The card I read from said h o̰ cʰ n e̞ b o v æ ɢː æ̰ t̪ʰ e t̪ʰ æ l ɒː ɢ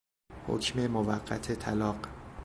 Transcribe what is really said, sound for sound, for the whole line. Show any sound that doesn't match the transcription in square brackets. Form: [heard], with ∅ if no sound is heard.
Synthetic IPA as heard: h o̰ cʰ [m] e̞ [m] o v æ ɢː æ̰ t̪ʰ e t̪ʰ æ l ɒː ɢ